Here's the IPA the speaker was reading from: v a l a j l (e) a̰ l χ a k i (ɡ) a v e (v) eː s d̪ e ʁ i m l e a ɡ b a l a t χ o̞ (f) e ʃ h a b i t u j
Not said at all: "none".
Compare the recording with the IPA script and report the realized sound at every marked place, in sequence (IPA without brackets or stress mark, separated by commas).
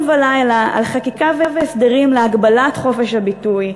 a, k, v, f